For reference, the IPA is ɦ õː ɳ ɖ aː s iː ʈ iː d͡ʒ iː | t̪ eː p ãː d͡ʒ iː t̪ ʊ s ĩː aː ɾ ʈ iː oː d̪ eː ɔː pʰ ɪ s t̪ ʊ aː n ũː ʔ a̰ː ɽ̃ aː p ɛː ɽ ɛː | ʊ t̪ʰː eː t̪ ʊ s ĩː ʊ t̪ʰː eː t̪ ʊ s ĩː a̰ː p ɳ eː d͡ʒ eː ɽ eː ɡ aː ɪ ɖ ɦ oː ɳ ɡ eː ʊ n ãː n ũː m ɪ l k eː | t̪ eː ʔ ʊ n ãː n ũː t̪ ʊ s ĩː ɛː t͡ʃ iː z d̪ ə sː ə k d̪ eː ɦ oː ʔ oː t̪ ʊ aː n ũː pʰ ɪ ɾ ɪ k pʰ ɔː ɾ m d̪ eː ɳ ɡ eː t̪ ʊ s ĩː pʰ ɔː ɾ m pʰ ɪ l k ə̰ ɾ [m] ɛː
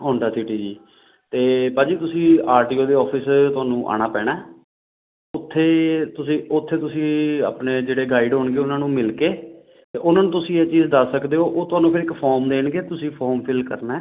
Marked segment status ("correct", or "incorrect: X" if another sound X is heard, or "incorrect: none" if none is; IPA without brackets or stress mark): incorrect: n